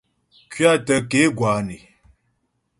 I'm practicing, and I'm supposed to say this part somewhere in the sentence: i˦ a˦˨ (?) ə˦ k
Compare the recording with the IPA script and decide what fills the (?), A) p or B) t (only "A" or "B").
B